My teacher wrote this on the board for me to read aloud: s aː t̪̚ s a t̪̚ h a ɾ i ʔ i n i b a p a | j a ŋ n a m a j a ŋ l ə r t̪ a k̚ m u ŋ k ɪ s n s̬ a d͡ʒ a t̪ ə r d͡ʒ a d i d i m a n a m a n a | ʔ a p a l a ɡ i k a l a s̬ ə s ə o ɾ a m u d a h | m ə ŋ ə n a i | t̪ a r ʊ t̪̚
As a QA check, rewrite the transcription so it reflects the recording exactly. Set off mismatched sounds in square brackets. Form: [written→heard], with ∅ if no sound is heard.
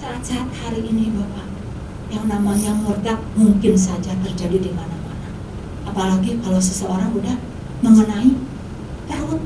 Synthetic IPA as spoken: s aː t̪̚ s a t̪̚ h a ɾ i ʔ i n i b a p a | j a ŋ n a m a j a ŋ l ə r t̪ a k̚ m u ŋ k ɪ [s→∅] n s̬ a d͡ʒ a t̪ ə r d͡ʒ a d i d i m a n a m a n a | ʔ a p a l a ɡ i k a l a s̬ ə s ə o ɾ a [m→ŋ] u d a h | m ə ŋ ə n a i | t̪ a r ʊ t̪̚